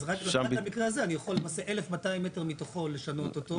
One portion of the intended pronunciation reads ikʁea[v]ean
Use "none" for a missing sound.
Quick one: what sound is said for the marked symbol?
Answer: z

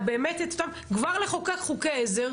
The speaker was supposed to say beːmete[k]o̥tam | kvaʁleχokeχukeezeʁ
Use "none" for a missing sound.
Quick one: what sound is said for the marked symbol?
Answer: t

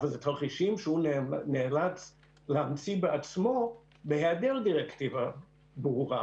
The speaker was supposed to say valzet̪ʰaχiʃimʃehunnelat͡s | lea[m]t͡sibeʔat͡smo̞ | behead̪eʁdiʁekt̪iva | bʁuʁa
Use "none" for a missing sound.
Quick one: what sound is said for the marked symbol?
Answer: m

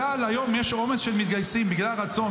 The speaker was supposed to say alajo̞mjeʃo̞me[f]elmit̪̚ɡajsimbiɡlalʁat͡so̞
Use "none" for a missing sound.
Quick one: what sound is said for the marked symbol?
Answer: ʃ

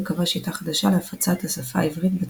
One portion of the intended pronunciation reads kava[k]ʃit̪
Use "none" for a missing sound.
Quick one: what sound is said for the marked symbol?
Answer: none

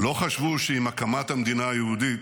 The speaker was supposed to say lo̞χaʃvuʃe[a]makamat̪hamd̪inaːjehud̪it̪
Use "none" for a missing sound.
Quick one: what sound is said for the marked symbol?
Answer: i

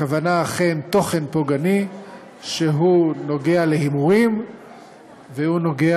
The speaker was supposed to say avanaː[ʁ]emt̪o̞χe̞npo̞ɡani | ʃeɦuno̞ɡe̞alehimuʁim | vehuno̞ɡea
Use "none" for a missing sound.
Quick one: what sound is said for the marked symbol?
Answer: χ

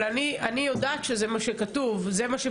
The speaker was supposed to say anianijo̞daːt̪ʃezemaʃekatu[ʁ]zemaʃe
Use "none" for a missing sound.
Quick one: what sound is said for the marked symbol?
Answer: v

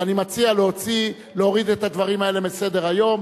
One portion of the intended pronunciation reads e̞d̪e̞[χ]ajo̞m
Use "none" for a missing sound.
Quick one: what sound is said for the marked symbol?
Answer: ʁ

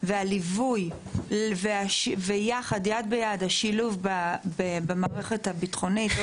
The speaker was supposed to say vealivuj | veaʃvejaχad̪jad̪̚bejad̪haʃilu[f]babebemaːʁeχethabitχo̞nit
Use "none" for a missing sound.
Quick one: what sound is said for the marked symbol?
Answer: v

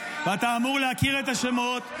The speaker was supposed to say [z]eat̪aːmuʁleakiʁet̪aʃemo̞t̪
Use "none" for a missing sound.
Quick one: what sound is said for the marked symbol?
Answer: v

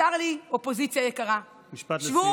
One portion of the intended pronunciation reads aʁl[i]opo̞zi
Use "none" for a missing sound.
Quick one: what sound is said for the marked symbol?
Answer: i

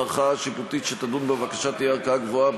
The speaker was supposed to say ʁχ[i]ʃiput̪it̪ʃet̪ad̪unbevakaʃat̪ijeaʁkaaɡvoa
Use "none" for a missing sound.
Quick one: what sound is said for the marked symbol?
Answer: a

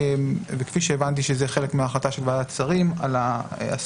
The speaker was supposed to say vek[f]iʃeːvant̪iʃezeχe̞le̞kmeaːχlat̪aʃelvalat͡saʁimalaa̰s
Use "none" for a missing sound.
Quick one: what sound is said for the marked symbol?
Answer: f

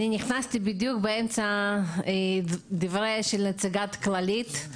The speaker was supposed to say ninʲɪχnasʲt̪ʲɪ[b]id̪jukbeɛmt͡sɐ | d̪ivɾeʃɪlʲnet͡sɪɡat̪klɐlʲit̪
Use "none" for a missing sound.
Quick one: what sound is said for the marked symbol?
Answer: b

